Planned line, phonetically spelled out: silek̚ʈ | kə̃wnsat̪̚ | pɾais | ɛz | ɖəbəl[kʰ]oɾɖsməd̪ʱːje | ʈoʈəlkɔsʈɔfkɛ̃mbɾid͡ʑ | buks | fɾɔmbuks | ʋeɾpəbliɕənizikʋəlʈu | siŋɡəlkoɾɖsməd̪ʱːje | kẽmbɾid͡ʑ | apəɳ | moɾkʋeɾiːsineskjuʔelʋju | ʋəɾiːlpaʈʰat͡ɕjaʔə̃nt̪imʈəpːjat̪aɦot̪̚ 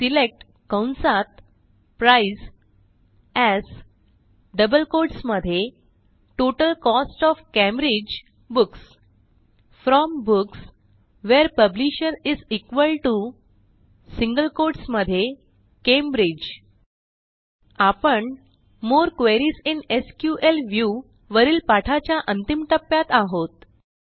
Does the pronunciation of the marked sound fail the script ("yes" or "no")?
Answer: yes